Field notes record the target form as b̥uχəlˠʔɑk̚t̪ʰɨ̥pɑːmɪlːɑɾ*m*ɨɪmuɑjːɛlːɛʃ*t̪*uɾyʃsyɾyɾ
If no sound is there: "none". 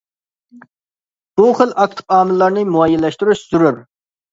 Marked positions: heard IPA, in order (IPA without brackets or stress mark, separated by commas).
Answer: n, t̪